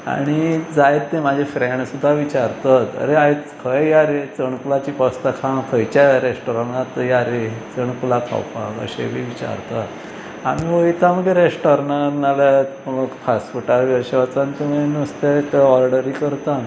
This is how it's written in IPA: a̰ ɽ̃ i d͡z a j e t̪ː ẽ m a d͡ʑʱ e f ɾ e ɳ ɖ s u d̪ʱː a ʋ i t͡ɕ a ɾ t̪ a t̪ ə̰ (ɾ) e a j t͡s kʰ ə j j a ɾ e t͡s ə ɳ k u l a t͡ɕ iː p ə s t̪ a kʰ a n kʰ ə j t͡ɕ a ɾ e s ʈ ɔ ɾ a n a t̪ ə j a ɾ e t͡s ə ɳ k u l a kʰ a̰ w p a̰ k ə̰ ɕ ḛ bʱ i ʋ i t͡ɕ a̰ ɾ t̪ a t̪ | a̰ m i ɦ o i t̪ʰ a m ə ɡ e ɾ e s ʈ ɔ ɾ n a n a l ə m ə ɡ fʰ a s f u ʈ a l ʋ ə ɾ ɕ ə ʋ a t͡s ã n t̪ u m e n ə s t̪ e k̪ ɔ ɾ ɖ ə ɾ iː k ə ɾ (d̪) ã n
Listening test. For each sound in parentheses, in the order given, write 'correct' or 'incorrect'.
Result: correct, incorrect: t̪

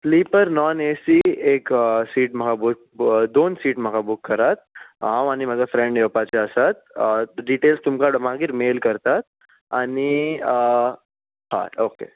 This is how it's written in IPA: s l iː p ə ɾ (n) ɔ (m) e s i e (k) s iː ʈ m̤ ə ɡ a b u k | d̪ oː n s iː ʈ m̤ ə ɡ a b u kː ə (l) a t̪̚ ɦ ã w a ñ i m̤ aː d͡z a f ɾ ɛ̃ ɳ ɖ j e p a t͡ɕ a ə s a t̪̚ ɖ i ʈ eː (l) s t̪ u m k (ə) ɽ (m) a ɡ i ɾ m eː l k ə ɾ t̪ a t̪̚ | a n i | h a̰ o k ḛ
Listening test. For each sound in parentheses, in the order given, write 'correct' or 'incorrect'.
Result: correct, incorrect: n, correct, incorrect: ɾ, correct, incorrect: a, correct

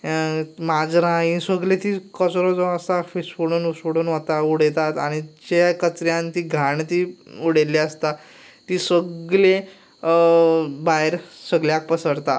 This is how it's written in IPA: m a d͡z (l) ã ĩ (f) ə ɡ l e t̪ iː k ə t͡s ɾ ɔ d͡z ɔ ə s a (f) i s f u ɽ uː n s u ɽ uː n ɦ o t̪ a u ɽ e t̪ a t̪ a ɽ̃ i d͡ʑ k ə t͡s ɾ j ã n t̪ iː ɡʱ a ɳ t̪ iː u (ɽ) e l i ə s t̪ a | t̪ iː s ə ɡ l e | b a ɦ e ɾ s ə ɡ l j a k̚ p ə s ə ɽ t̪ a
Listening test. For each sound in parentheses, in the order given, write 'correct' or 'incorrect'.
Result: incorrect: ɾ, incorrect: s, correct, correct

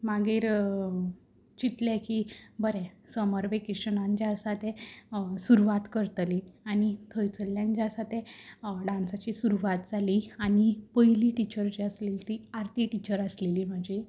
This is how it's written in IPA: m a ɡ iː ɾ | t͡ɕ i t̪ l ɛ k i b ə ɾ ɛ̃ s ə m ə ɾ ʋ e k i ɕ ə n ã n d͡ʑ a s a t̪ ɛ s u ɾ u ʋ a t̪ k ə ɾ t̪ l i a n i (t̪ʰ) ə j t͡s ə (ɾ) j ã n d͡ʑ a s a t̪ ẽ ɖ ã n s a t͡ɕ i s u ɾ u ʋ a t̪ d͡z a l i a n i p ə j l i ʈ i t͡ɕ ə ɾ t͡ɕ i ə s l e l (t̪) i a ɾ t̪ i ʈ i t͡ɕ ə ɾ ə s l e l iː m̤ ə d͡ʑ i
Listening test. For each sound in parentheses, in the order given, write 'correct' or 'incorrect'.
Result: correct, incorrect: l, correct

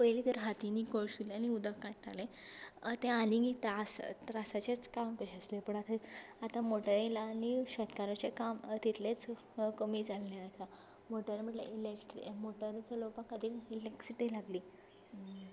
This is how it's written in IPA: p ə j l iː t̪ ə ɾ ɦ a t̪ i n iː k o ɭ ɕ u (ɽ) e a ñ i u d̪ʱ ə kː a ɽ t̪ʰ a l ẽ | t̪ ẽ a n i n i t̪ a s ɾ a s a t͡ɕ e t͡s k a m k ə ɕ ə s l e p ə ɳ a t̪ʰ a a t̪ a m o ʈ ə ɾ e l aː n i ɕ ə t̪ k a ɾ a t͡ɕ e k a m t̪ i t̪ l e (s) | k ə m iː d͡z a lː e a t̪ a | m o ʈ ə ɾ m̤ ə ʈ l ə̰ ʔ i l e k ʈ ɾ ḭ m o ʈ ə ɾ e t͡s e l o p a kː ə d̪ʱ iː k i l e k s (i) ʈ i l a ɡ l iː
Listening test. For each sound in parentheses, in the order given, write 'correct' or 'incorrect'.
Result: incorrect: l, incorrect: t͡s, correct

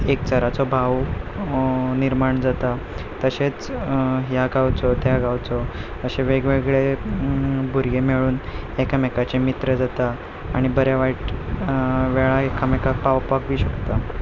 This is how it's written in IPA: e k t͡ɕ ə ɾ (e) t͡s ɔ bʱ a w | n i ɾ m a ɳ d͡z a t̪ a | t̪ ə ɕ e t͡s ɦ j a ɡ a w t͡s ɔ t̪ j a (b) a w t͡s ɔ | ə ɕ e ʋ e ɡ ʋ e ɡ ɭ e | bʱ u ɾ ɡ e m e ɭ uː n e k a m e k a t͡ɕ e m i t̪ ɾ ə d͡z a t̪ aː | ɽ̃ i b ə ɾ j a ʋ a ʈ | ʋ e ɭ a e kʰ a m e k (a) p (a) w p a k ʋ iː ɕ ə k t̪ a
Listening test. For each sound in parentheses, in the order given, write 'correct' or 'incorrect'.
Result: incorrect: a, incorrect: ɡ, correct, correct

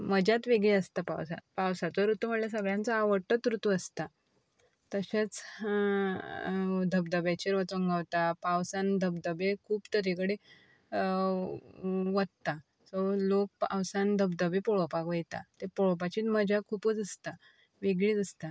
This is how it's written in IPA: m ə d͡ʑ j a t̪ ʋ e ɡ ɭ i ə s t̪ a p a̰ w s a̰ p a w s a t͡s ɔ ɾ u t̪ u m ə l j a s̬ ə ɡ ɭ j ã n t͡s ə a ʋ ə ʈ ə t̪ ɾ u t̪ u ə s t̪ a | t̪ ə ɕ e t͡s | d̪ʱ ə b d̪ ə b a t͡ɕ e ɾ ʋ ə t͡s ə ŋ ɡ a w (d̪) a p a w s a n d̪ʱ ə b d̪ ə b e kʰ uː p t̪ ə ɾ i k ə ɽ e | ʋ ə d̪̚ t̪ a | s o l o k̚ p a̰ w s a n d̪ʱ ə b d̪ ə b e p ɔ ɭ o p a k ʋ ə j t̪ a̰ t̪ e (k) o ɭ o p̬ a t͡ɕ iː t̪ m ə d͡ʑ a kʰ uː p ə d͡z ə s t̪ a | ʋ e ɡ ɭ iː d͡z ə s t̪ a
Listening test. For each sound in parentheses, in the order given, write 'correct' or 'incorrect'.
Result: incorrect: t̪, incorrect: p

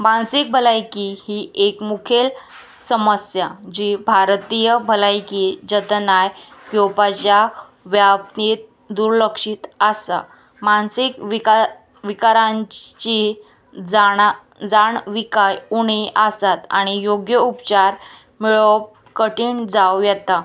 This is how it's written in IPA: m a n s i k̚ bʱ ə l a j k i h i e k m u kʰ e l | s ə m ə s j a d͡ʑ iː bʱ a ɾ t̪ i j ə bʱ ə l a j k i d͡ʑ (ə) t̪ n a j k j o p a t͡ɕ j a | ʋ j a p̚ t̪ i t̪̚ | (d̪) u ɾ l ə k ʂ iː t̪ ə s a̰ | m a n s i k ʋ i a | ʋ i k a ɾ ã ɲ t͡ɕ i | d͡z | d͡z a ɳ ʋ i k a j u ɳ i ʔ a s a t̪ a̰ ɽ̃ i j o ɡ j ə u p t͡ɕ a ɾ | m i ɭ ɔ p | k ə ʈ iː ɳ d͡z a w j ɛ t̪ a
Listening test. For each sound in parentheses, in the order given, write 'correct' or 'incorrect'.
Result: correct, correct

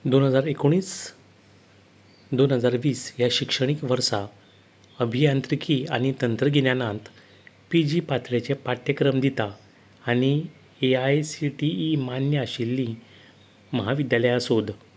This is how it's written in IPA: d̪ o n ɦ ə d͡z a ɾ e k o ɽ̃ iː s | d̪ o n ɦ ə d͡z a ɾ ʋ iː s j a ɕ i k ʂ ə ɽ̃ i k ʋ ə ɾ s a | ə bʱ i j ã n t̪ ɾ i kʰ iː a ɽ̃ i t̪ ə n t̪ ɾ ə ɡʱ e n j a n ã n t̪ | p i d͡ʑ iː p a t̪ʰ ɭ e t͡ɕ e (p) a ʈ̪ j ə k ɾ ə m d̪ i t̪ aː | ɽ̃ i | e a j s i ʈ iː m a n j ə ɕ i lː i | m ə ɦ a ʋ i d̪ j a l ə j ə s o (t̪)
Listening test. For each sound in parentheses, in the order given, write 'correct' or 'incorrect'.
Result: correct, incorrect: d̪

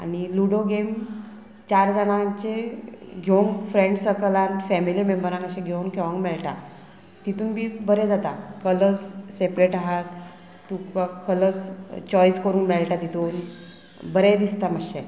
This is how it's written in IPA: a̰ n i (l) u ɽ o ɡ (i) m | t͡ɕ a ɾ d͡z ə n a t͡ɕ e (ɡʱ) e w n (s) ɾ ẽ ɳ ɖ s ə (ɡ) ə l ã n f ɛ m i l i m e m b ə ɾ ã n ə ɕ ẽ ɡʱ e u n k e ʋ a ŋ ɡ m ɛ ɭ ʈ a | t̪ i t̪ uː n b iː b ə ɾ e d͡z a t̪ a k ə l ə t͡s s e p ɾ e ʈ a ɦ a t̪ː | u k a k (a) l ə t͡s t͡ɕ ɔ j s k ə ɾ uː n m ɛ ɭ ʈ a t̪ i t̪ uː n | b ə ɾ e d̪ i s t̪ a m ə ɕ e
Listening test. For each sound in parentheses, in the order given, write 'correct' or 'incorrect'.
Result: correct, incorrect: e, correct, incorrect: f, incorrect: k, incorrect: ə

